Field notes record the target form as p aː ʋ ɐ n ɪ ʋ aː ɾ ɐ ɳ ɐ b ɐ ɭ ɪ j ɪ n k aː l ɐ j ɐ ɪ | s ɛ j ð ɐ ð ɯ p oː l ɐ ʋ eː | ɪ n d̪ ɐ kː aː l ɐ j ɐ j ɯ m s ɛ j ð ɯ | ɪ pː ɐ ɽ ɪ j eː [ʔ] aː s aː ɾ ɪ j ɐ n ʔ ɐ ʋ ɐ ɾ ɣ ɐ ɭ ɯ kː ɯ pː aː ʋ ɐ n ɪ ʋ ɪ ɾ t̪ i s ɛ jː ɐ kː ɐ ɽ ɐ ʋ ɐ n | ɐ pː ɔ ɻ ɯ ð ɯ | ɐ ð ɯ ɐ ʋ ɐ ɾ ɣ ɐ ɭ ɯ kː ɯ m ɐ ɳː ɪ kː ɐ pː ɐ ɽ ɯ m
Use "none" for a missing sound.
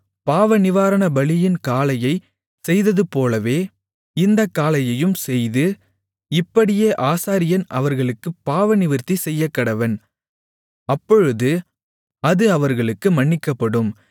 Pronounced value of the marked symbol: ʔ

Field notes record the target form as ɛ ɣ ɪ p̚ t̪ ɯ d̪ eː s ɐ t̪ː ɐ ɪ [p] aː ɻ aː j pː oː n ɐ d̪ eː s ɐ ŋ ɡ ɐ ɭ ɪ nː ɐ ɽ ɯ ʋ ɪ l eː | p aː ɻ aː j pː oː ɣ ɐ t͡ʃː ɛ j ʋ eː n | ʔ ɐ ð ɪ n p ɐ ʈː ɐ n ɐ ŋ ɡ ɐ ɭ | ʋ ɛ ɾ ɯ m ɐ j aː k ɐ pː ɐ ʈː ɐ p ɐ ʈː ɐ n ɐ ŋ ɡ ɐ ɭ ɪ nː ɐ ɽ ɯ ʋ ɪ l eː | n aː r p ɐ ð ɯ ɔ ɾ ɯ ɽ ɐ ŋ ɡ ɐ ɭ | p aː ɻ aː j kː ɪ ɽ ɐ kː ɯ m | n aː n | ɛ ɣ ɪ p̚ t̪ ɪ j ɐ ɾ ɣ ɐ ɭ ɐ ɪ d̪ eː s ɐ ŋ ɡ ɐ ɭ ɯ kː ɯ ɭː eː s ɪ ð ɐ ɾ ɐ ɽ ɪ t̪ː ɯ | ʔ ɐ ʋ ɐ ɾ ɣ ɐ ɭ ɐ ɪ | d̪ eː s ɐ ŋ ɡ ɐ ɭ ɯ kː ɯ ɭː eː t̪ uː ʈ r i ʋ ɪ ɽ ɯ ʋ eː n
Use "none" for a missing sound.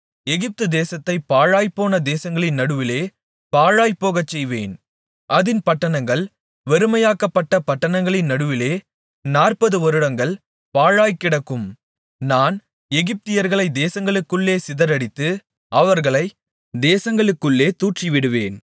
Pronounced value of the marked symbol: p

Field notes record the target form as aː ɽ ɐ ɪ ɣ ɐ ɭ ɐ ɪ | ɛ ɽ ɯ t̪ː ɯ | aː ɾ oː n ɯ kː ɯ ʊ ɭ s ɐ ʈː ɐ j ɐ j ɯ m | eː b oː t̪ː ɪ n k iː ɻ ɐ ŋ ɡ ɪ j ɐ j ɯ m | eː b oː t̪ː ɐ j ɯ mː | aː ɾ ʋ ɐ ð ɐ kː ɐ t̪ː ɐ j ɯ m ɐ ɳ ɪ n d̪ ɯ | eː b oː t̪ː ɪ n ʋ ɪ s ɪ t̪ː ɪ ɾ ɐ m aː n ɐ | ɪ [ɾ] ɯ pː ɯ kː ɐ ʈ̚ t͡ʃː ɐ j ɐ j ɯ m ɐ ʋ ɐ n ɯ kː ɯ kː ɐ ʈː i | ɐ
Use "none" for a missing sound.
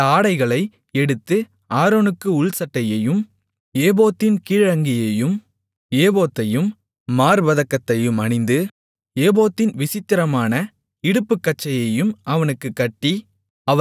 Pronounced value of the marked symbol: ɽ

